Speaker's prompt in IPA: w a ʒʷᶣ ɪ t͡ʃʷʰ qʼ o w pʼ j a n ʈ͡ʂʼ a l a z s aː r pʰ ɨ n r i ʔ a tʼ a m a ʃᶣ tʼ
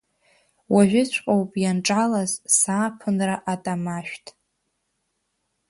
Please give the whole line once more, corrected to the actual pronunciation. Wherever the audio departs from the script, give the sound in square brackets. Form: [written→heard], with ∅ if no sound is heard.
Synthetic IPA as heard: w a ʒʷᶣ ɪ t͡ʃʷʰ qʼ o w pʼ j a n ʈ͡ʂʼ a l a z s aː [r→∅] pʰ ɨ n r [i→a] ʔ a tʼ a m a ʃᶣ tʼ

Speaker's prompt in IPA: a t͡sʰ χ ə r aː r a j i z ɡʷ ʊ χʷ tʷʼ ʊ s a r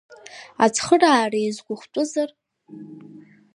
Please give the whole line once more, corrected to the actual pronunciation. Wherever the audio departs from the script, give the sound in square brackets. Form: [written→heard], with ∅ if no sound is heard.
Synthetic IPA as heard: a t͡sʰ χ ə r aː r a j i z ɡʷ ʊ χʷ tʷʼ ʊ [s→z] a r

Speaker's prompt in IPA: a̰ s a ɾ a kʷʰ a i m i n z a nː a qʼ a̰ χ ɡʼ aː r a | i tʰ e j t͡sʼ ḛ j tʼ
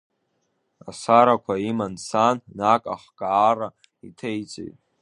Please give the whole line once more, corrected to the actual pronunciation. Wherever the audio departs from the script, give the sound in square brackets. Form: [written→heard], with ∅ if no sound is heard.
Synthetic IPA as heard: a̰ s a ɾ a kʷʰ a i m [i→a] n [z→s] a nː a [qʼ→kʼ] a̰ χ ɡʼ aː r a | i tʰ e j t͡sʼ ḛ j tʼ

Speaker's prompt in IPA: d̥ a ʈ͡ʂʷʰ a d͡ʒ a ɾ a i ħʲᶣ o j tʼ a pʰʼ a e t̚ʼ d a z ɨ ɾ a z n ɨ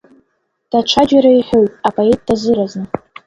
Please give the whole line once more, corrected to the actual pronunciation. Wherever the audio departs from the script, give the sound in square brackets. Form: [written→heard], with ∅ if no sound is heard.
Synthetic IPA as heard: d̥ a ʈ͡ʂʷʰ a d͡ʒ a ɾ a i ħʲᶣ o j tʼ a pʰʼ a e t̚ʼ d a z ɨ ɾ a z n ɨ

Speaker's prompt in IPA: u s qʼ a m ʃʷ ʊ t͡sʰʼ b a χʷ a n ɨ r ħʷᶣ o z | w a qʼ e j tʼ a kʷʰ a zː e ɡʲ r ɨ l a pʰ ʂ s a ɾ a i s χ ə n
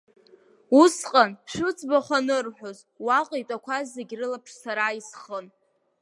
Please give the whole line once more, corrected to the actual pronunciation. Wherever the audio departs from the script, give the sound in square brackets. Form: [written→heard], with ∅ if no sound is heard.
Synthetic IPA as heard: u s qʼ a [m→n] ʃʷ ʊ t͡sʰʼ b a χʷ a n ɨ r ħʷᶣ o z | w a qʼ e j tʼ a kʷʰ a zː e ɡʲ r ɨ l a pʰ ʂ s a ɾ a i s χ ə n

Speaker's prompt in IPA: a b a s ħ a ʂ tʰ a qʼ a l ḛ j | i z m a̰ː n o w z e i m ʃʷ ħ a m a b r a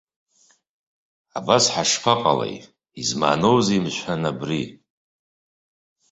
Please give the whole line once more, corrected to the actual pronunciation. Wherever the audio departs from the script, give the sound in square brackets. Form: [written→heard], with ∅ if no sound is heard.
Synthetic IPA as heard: a b a s ħ a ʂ [tʰ→pʰ] a qʼ a l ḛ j | i z m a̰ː n o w z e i m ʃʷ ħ a [m→n] a b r [a→i]

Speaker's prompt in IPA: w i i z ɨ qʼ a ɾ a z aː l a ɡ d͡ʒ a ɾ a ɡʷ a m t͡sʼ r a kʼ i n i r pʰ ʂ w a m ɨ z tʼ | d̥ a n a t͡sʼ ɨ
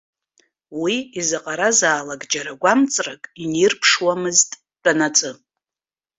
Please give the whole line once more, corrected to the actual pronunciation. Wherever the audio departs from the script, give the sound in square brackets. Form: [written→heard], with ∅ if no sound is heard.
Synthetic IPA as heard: w i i z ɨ qʼ a ɾ a z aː l a ɡ d͡ʒ a ɾ a ɡʷ a m t͡sʼ r a kʼ i n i r pʰ ʂ w a m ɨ z tʼ | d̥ a n a t͡sʼ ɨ

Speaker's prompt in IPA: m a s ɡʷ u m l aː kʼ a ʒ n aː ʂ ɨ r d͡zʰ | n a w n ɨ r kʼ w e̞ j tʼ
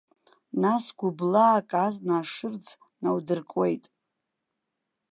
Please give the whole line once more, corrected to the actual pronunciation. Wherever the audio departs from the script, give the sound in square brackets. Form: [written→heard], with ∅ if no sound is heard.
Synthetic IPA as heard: [m→n] a s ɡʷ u [m→b] l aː kʼ a [ʒ→z] n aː ʂ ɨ r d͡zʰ | n a w [n→d] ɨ r kʼ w e̞ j tʼ

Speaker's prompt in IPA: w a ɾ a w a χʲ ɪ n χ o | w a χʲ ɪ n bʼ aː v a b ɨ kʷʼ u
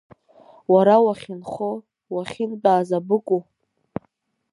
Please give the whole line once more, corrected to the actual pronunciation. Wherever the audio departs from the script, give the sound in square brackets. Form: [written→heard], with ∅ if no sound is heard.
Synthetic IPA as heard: w a ɾ a w a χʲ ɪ n χ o | w a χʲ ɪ n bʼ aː [v→z] a b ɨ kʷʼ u

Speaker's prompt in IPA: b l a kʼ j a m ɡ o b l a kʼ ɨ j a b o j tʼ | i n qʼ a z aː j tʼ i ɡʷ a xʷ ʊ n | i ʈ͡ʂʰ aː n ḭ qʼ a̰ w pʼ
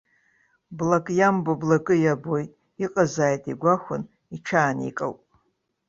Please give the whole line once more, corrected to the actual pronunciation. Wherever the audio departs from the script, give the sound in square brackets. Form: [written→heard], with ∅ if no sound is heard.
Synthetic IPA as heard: b l a kʼ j a m [ɡ→b] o b l a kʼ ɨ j a b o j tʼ | i [n→∅] qʼ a z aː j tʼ i ɡʷ a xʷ ʊ n | i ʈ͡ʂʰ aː n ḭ [qʼ→kʼ] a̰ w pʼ

